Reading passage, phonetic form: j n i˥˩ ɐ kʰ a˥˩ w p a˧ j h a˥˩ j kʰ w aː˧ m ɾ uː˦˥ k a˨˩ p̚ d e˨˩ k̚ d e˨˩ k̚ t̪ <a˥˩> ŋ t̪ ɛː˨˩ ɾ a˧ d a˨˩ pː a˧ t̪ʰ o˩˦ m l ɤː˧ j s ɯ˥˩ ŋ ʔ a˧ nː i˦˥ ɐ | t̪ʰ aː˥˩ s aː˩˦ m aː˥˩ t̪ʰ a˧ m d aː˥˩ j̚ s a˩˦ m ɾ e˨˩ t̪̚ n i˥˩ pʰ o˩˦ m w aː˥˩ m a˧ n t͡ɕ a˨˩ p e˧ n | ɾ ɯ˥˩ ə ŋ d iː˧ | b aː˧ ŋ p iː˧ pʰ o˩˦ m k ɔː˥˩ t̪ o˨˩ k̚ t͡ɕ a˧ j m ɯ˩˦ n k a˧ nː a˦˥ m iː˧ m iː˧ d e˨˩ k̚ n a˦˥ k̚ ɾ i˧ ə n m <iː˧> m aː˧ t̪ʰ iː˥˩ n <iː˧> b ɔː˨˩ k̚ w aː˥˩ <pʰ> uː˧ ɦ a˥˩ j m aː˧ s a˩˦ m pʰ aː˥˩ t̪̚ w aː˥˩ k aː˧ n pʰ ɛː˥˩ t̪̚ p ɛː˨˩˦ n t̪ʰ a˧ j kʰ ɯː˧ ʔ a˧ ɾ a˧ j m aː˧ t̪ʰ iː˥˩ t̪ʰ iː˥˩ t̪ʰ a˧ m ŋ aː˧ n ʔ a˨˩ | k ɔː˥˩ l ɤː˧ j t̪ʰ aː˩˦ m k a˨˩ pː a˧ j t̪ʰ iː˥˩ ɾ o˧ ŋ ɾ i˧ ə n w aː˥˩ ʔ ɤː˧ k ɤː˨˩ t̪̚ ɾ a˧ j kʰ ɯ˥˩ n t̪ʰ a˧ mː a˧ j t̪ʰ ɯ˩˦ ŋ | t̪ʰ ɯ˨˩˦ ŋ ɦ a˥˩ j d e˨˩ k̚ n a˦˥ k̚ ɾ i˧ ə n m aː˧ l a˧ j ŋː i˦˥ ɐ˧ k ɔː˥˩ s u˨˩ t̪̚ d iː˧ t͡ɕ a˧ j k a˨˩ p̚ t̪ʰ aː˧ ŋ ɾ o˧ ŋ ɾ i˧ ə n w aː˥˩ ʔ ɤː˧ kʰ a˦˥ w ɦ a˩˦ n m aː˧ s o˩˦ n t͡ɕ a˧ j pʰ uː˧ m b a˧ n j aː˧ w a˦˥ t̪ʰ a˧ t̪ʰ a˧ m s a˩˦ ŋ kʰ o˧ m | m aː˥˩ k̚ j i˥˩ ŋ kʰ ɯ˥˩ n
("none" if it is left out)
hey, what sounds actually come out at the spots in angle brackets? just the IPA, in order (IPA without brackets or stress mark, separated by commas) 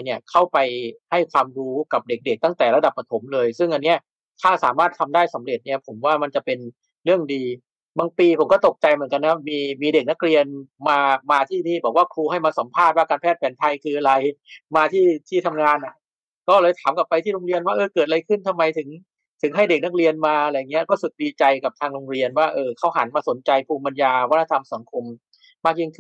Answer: a˥˩, aː˧, iː˥˩, kʰ